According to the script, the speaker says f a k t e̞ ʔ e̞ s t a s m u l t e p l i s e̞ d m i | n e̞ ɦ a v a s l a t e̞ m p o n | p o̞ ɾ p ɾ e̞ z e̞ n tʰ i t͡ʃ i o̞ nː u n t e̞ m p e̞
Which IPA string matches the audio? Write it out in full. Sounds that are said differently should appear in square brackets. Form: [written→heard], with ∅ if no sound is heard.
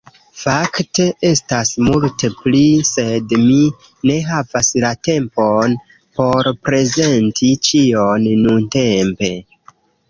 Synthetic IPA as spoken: f a k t e̞ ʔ e̞ s t a s m u l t e p l i s e̞ d m i | n e̞ ɦ a v a s l a t e̞ m p o n | p o̞ ɾ p ɾ e̞ z e̞ n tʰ i t͡ʃ i o̞ nː u n t e̞ m p e̞